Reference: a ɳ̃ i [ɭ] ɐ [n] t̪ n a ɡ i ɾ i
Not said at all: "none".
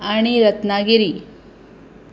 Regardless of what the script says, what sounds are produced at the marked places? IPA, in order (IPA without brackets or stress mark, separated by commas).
ɾ, none